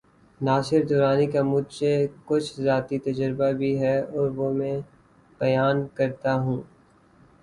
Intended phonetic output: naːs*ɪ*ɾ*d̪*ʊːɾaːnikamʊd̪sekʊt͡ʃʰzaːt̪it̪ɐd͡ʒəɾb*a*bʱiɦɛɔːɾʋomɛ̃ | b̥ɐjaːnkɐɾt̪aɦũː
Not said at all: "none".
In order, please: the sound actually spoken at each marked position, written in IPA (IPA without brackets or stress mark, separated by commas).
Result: ɪ, d̪, a